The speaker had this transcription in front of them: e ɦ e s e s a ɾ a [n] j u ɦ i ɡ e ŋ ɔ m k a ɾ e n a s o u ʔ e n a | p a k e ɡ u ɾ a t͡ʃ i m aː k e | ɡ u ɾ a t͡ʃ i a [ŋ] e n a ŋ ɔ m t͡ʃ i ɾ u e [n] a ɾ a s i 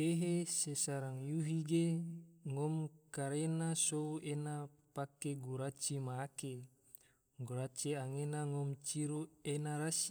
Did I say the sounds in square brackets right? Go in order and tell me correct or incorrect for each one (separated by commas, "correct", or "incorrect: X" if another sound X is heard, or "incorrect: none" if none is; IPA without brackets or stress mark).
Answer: incorrect: ŋ, correct, correct